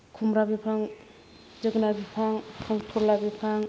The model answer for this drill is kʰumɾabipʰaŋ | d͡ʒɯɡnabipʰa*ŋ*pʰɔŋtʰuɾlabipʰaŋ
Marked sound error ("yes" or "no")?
no